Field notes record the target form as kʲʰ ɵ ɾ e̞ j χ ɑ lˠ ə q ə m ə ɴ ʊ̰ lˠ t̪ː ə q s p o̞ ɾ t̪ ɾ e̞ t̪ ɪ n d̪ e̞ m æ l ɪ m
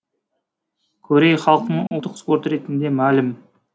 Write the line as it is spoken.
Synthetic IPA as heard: kʲʰ ɵ ɾ e̞ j χ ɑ lˠ ə q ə n ə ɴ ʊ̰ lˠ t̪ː ə q s p o̞ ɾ t̪ ɾ e̞ t̪ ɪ n d̪ e̞ m æ l ɪ m